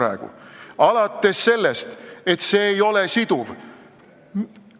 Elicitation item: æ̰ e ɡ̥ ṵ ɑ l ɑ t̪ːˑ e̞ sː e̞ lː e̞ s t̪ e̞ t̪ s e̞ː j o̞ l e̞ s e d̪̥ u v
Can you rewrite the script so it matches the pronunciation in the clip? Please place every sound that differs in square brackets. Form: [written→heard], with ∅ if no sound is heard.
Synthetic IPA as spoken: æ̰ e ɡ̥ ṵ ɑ l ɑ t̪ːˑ e̞ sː e̞ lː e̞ s t̪ e̞ t̪ s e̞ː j o̞ l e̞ s [e→i] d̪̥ u v